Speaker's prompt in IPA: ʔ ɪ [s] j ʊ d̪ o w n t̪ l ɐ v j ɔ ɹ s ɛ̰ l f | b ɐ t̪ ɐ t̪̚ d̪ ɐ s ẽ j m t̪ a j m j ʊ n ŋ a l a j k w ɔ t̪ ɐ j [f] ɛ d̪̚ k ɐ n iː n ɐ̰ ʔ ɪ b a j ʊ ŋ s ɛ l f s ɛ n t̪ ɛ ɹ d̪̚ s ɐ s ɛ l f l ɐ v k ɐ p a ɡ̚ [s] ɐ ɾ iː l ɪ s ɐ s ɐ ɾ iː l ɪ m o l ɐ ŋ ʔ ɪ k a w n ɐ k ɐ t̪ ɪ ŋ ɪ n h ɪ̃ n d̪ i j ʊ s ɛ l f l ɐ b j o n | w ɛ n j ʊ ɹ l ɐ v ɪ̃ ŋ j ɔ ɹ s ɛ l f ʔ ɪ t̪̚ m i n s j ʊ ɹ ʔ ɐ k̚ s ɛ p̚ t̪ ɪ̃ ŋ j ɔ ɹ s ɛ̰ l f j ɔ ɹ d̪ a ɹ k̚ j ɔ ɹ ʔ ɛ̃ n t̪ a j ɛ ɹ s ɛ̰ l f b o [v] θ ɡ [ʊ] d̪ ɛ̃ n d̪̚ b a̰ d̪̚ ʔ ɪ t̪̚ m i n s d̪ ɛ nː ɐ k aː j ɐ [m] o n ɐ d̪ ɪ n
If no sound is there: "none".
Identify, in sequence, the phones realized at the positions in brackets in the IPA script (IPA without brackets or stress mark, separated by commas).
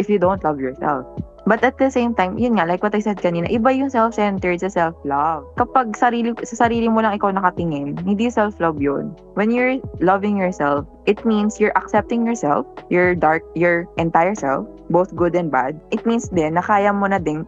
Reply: f, s, s, w, ʊ, m